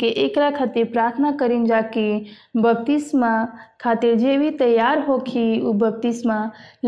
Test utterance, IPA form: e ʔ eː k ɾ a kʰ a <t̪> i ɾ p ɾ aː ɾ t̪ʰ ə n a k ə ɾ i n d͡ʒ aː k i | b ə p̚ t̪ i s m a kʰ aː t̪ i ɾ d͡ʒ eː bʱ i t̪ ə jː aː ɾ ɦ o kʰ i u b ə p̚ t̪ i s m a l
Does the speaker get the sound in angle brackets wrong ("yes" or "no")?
no